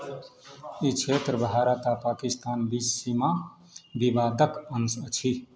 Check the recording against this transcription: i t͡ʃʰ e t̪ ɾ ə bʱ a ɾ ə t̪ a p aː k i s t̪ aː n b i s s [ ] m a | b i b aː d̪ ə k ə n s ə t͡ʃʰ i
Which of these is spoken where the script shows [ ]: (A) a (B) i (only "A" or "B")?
B